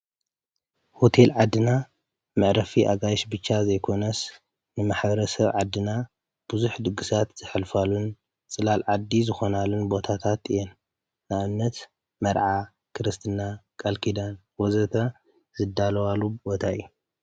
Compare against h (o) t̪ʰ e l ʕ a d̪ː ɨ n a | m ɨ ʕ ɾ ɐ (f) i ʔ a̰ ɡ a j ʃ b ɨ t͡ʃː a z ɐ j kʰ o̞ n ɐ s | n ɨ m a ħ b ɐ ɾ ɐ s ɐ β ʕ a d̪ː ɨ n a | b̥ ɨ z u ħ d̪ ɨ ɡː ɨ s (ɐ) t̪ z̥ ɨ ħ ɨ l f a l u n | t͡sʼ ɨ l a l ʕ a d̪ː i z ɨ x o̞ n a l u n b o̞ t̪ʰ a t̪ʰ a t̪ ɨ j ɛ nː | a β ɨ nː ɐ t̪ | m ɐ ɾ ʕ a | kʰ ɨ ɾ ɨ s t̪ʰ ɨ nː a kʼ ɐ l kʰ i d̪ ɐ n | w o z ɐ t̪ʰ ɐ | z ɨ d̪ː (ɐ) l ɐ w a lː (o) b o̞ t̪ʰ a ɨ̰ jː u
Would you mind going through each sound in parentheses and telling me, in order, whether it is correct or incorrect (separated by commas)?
correct, correct, incorrect, incorrect, incorrect